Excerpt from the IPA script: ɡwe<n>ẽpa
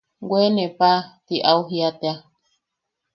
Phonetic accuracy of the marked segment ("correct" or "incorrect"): correct